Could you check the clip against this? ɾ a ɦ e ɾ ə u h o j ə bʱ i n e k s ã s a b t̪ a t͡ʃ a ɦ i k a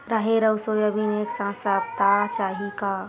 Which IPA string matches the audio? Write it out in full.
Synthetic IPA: ɾ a ɦ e ɾ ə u s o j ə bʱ i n e k s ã s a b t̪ a t͡ʃ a ɦ i k a